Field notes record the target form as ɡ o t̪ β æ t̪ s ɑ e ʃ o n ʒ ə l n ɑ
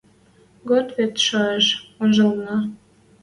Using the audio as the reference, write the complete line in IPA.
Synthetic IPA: ɡ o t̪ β e t̪ ʃ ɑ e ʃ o n ʒ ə l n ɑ